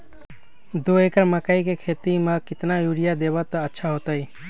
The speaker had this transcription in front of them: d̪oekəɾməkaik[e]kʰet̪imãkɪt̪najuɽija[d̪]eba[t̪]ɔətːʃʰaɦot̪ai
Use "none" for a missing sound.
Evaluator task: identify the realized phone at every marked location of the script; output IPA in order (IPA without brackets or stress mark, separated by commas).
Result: e, d̪, t̪